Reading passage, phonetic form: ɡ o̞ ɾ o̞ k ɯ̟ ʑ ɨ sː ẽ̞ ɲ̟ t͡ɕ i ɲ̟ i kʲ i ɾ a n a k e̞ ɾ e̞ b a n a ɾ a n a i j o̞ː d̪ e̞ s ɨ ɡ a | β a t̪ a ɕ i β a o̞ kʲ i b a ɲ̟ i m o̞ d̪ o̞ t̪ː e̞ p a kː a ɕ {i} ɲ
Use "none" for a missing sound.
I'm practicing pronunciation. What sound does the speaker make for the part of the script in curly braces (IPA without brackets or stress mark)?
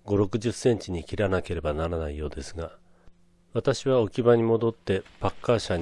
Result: a